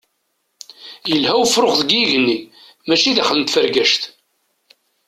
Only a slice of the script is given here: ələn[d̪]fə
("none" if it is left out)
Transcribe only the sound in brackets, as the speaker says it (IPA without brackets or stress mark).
t̪